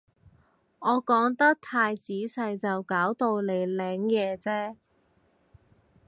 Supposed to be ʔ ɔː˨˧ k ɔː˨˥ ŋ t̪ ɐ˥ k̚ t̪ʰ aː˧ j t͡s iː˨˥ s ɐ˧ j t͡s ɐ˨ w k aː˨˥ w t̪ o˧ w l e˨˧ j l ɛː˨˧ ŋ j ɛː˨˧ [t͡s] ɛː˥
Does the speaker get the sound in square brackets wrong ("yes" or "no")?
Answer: no